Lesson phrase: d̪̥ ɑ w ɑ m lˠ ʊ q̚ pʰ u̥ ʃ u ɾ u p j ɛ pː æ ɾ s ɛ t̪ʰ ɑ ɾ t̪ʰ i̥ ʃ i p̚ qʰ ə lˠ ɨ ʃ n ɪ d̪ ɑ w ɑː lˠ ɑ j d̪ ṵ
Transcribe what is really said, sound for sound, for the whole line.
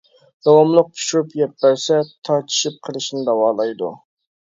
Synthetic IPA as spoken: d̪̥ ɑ w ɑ m lˠ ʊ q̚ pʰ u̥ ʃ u ɾ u p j ɛ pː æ ɾ s ɛ t̪ʰ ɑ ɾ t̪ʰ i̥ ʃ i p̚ qʰ ə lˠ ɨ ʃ n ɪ d̪ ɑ w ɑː lˠ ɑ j d̪ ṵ